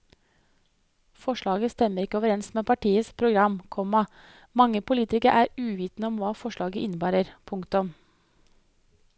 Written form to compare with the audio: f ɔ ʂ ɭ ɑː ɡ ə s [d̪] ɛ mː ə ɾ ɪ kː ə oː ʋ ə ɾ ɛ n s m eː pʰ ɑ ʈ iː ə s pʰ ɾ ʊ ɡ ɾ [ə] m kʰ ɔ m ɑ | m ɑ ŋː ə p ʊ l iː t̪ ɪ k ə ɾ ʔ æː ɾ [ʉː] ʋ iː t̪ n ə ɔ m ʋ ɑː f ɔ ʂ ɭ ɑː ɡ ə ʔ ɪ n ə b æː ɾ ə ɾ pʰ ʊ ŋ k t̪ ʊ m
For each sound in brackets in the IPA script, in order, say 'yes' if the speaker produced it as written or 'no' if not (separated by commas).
no, no, yes